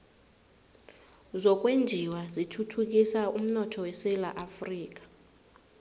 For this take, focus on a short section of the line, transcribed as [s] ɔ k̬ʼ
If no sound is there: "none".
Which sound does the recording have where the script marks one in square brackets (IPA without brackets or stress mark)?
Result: z